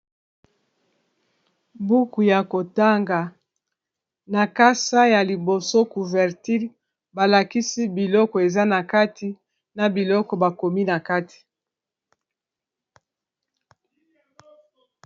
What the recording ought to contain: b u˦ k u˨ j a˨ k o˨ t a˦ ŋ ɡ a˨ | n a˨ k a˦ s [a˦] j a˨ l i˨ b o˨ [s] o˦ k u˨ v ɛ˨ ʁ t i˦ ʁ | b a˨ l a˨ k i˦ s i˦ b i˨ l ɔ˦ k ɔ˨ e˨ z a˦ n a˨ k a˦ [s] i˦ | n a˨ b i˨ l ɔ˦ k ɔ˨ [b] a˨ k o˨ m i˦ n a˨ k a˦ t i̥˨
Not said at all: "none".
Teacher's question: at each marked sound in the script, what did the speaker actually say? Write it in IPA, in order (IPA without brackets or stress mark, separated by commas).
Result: a˦, s, t, b